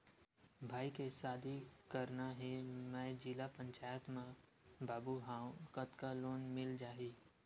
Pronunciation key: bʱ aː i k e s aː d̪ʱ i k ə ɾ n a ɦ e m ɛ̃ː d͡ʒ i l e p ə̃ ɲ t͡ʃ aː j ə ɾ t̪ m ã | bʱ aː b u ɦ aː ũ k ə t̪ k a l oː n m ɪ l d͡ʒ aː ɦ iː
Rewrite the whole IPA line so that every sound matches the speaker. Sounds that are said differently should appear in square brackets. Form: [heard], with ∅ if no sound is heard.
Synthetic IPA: bʱ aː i k e s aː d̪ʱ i k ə ɾ n a ɦ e m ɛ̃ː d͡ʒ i l [a] p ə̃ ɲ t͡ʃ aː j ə [∅] t̪ m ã | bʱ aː b u ɦ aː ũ k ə t̪ k a l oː n m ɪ l d͡ʒ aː ɦ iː